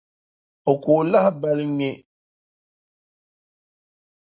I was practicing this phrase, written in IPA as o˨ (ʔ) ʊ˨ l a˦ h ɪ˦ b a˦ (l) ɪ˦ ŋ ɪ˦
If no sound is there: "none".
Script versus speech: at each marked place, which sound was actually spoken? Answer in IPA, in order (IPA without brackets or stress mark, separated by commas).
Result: k, l